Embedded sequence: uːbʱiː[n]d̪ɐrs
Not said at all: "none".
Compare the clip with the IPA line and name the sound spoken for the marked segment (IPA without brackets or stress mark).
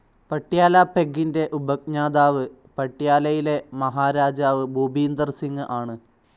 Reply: n